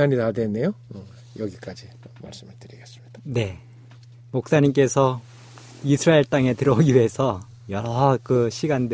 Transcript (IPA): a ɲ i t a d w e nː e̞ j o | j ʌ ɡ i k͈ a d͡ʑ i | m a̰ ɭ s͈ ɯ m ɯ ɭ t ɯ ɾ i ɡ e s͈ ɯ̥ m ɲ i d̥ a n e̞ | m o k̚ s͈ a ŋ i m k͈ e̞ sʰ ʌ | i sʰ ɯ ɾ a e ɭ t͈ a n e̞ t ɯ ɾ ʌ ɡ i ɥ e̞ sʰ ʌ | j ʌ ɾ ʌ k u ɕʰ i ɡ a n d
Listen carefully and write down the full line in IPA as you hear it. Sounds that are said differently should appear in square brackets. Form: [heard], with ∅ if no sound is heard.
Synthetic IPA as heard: a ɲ i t a d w e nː e̞ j o | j ʌ ɡ i k͈ a d͡ʑ i | m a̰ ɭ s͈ ɯ m ɯ ɭ t ɯ ɾ i ɡ e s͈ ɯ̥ m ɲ i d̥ a n e̞ | m o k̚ s͈ a [ɲ] i m k͈ e̞ sʰ ʌ | i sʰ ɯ ɾ a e ɭ t͈ a [ŋ] e̞ t ɯ ɾ ʌ ɡ i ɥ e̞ sʰ ʌ | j ʌ ɾ ʌ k [ɯ] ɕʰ i ɡ a n d